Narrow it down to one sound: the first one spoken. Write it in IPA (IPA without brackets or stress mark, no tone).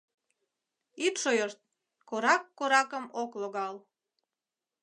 i